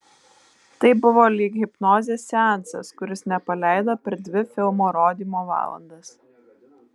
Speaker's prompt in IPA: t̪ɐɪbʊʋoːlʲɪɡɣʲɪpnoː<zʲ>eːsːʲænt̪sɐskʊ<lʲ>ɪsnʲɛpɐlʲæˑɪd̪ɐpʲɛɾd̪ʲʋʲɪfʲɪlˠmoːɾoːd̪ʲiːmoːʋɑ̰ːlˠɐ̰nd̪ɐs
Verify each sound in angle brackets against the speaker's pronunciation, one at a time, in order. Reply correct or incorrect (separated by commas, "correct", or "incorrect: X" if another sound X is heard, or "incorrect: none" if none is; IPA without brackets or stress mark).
correct, incorrect: ɾʲ